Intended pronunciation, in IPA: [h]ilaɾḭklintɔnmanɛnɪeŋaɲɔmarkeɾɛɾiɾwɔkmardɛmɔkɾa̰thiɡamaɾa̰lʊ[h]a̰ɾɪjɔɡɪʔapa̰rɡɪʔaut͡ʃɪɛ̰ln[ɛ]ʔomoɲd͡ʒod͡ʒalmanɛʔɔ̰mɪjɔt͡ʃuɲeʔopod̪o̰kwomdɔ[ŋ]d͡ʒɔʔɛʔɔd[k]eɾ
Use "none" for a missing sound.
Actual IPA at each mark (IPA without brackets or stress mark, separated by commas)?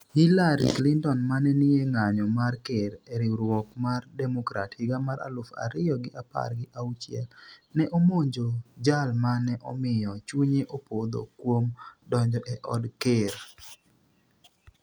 h, f, ɛ, ɲ, k